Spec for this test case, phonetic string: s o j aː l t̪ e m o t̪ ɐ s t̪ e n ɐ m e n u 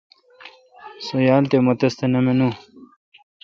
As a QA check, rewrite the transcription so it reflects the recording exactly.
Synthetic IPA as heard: s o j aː l t̪ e m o t̪ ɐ s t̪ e n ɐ m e n u

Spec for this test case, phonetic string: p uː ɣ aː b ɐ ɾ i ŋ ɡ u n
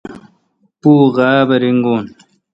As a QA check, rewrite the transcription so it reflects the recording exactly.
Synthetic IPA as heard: p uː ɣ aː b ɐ ɾ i ŋ ɡ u n

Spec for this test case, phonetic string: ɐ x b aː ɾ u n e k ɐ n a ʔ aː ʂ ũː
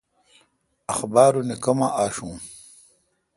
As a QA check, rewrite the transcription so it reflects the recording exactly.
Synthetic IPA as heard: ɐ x b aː ɾ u n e k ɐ m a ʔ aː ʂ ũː

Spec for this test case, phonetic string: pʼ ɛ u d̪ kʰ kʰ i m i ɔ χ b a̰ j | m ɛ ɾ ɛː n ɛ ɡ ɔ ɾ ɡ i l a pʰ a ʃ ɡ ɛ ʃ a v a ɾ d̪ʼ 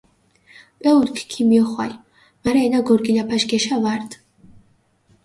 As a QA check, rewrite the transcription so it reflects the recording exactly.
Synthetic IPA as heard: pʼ ɛ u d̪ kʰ kʰ i m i ɔ χ w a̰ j | m a ɾ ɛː n a ɡ ɔ ɾ ɡ i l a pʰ a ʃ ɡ ɛ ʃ a v a ɾ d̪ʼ

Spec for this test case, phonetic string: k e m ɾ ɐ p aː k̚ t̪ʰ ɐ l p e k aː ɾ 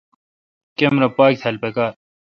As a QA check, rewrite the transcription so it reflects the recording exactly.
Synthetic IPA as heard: k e m ɾ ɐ p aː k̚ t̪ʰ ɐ l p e k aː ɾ

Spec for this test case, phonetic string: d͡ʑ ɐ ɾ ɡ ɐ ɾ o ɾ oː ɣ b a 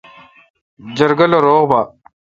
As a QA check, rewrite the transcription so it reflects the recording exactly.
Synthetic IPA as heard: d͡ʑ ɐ ɾ ɡ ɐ l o ɾ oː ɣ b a

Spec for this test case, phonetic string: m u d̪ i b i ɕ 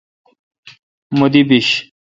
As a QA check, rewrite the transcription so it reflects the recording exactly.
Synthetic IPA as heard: m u d̪ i b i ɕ

